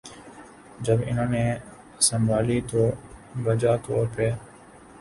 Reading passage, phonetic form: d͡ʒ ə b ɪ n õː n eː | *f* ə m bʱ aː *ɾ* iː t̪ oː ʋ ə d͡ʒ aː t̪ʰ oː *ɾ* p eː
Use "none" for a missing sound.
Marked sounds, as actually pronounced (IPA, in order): s, l, ɾ

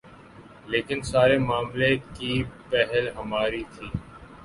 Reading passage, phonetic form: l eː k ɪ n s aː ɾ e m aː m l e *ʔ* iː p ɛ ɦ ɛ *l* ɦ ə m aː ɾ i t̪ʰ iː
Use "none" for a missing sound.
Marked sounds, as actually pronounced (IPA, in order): k, l

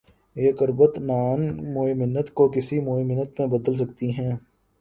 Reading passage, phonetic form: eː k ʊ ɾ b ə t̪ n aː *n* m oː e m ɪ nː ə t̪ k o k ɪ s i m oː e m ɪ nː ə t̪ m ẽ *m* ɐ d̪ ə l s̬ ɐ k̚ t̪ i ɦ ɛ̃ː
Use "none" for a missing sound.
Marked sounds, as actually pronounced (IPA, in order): n, b

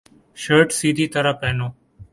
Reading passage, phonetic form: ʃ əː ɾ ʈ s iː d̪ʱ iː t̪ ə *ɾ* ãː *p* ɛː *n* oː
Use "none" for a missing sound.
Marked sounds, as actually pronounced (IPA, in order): ɾ, p, n

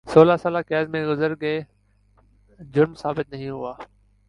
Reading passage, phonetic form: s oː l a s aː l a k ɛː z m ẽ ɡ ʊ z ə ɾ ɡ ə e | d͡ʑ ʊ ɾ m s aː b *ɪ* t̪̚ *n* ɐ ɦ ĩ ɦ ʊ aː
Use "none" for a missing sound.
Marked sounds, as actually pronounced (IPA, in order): ɪ, n

